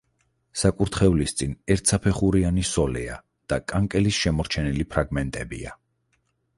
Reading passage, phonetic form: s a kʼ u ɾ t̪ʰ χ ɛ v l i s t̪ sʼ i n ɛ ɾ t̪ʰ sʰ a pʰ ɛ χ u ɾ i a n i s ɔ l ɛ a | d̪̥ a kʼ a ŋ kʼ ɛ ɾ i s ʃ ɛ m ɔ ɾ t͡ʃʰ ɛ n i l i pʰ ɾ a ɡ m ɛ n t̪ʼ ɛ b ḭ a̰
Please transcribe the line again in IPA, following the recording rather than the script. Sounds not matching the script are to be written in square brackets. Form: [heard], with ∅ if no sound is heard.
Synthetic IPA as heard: s a kʼ u ɾ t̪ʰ χ ɛ v l i s t̪ sʼ i n ɛ ɾ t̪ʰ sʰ a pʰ ɛ χ u ɾ i a n i s ɔ l ɛ a | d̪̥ a kʼ a ŋ kʼ ɛ [l] i s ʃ ɛ m ɔ ɾ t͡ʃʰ ɛ n i l i pʰ ɾ a ɡ m ɛ n t̪ʼ ɛ b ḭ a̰